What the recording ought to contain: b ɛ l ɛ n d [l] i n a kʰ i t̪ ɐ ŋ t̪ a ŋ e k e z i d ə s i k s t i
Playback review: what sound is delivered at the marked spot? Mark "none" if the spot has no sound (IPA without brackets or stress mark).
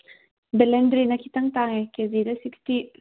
ɾ